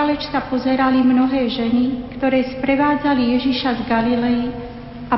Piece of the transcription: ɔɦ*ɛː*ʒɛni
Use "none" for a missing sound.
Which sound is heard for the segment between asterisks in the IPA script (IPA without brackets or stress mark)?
ɛː